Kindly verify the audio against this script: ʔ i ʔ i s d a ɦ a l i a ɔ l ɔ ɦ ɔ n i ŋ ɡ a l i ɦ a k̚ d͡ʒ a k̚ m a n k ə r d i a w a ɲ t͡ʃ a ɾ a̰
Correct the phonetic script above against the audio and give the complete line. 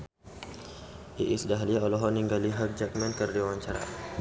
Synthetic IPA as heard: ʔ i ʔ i s d a ɦ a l i a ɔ l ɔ ɦ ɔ n i ŋ ɡ a l i ɦ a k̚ d͡ʒ a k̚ m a n k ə r d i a w a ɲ t͡ʃ a ɾ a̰